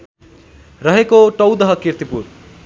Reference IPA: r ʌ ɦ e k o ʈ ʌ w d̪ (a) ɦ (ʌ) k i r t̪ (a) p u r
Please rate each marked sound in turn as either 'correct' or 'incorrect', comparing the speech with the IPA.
incorrect, correct, incorrect

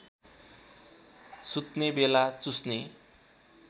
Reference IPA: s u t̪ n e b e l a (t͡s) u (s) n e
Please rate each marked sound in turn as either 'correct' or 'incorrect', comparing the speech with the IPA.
correct, correct

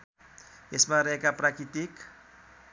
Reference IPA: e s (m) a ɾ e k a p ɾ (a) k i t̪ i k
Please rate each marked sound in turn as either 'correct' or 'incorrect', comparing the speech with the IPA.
correct, correct

